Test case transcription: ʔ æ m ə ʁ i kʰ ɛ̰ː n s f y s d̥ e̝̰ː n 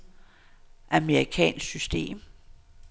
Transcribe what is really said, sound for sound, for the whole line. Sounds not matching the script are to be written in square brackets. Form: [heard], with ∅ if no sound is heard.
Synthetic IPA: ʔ æ m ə ʁ i kʰ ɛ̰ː n s [s] y s d̥ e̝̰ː [m]